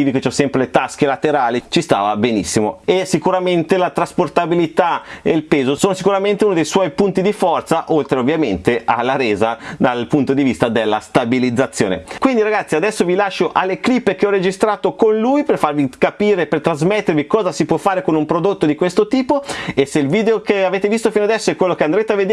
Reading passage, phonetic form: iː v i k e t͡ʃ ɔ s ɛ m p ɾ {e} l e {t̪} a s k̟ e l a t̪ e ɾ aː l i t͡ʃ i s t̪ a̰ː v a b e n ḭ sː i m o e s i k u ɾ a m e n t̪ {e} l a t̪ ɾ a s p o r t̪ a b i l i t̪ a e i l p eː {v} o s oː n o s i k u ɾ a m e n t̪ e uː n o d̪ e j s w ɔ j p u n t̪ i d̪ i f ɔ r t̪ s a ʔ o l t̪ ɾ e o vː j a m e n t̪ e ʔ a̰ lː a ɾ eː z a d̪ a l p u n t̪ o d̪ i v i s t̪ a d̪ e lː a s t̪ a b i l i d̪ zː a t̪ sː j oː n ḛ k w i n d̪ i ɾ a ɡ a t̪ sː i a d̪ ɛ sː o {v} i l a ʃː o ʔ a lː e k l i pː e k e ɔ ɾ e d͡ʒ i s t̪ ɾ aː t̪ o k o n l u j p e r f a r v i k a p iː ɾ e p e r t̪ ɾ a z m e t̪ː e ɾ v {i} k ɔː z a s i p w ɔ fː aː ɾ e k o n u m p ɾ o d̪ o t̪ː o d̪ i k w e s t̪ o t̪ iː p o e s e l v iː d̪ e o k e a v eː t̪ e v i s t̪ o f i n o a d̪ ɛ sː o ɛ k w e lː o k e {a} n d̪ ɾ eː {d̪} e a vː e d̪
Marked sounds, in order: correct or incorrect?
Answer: correct, correct, correct, incorrect, correct, correct, correct, incorrect

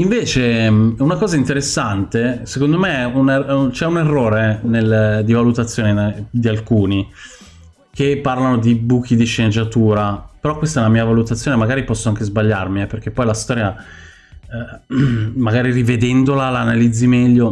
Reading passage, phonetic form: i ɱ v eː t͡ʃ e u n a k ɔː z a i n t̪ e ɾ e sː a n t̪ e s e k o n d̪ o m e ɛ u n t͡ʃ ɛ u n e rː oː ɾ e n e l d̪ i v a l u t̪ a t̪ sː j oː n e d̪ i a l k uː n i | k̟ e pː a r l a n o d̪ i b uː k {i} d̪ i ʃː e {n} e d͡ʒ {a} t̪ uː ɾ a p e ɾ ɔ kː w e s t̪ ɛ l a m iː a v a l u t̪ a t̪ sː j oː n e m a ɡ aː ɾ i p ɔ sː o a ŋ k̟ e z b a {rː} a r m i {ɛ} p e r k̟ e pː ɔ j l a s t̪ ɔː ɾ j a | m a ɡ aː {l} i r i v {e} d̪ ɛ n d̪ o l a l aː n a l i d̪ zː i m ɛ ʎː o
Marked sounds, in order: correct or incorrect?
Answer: correct, correct, correct, incorrect, correct, incorrect, correct

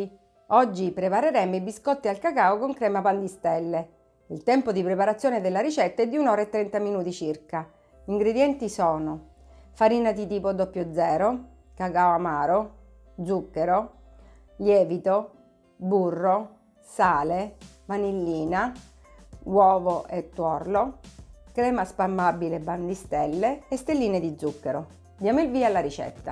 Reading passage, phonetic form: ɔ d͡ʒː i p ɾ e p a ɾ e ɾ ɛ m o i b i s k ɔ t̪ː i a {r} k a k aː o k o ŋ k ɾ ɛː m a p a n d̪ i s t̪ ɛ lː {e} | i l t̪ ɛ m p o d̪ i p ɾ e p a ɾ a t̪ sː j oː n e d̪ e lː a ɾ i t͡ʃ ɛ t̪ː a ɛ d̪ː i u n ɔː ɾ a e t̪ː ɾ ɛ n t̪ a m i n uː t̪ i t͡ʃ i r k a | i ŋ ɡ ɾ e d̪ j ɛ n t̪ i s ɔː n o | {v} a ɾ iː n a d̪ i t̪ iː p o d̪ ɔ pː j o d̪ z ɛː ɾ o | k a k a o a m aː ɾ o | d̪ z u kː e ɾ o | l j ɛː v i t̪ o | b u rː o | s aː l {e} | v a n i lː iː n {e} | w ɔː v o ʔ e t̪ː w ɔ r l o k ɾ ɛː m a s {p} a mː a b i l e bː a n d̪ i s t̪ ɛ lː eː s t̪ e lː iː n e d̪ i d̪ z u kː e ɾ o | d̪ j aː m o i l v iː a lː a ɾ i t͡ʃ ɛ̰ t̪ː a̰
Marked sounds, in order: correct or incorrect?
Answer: incorrect, correct, incorrect, correct, incorrect, correct

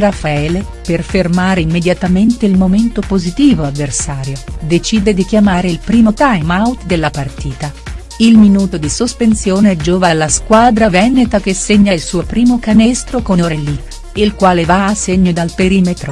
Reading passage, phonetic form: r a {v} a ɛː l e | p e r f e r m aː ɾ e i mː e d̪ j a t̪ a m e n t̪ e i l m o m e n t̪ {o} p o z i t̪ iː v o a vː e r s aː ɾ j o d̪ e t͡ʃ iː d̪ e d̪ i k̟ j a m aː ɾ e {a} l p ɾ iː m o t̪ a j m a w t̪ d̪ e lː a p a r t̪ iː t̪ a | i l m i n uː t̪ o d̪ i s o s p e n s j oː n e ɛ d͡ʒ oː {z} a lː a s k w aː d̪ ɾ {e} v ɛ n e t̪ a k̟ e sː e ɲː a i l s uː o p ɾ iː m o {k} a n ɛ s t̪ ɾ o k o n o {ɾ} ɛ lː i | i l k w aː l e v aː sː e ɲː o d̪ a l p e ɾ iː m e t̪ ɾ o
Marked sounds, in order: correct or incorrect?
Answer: incorrect, correct, incorrect, incorrect, incorrect, correct, correct

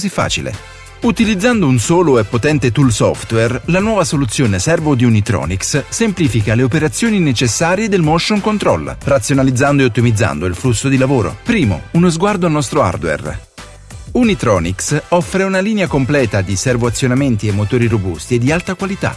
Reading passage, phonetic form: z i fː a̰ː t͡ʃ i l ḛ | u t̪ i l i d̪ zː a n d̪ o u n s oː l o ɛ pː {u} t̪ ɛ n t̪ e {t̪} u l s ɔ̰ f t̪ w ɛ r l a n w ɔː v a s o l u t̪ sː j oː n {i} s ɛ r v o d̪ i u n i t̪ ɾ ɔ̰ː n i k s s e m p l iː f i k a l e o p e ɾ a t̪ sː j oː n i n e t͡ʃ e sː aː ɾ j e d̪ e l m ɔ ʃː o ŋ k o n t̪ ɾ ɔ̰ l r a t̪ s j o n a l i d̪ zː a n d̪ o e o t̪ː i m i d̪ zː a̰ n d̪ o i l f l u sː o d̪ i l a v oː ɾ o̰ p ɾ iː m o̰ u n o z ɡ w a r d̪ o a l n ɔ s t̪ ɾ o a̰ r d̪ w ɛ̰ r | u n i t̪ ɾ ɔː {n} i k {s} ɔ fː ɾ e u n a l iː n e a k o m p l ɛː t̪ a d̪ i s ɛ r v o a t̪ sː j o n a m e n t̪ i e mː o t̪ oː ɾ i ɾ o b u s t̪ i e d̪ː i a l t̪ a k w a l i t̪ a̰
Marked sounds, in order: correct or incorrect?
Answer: incorrect, correct, incorrect, correct, correct

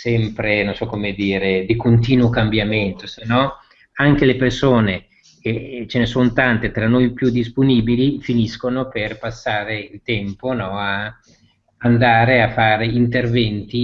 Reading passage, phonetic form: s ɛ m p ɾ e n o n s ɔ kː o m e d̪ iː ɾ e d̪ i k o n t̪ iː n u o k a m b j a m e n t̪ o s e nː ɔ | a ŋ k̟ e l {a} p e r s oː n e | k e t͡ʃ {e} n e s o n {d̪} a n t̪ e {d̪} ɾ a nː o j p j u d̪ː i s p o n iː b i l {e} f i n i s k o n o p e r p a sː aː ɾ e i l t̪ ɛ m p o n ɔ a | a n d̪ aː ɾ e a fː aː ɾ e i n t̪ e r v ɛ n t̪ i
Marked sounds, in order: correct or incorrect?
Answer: incorrect, correct, incorrect, incorrect, incorrect

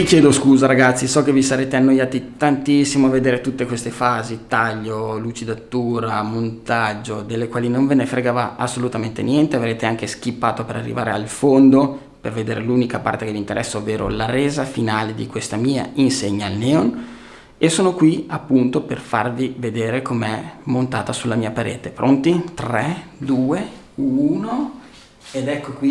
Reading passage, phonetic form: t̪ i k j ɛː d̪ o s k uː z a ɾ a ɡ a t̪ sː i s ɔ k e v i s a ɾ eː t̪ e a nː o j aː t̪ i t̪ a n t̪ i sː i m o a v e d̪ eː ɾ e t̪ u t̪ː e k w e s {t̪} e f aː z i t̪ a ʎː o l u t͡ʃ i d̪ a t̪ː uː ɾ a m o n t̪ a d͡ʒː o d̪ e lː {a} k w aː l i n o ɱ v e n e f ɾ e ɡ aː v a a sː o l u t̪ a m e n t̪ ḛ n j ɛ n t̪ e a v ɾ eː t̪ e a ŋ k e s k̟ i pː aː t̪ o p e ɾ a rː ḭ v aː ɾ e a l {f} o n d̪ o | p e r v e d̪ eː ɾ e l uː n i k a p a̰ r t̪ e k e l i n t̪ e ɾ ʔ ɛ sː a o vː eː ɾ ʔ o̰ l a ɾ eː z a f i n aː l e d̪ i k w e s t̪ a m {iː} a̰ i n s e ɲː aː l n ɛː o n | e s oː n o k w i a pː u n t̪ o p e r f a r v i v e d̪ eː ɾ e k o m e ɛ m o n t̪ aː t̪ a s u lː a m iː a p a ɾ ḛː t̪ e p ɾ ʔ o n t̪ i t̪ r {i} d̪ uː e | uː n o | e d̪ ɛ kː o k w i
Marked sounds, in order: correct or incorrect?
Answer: correct, incorrect, correct, correct, incorrect

